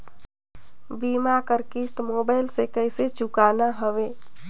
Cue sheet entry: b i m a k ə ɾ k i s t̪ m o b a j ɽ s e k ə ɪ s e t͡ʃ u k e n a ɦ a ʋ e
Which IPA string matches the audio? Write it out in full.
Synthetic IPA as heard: b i m a k ə ɾ k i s t̪ m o b a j l s e k ə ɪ s e t͡ʃ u k a n a ɦ ə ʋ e